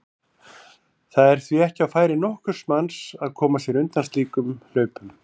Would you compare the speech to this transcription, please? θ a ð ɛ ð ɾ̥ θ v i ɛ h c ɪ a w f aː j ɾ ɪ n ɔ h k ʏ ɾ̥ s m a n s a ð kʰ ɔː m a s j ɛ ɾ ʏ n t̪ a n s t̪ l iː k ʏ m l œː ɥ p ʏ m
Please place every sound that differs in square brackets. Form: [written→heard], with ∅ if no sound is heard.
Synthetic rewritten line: θ a ð ɛ [ð→∅] ɾ̥ θ v i ɛ h c ɪ a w f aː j ɾ ɪ n ɔ h k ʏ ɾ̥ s m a n s a ð kʰ ɔː m a s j ɛ ɾ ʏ n t̪ a n s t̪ l iː k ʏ m l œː ɥ p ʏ m